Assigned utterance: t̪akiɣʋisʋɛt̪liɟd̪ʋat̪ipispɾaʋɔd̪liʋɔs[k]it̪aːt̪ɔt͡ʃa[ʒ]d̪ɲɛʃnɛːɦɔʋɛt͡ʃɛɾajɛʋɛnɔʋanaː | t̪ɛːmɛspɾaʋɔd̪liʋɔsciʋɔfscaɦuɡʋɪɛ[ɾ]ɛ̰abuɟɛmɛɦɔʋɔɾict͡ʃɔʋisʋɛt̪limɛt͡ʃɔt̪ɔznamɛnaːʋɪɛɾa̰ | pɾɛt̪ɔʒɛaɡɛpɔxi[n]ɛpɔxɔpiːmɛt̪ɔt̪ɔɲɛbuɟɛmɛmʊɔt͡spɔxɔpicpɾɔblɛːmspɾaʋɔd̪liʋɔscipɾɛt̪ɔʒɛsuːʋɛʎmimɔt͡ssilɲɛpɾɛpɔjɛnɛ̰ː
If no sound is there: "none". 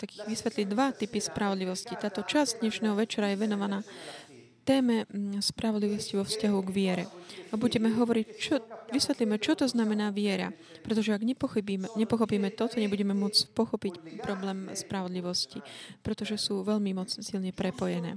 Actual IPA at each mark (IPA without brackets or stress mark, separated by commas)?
c, z, ɾ, ɲ